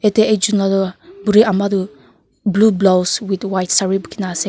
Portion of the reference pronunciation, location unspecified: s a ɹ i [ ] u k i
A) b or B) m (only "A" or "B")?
A